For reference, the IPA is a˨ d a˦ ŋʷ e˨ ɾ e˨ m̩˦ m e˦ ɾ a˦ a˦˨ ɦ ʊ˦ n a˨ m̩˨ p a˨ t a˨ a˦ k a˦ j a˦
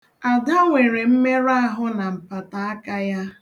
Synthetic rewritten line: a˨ d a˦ ŋʷ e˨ ɾ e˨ m̩˦ m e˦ ɾ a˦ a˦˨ ɦ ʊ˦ n a˨ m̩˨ p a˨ t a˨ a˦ k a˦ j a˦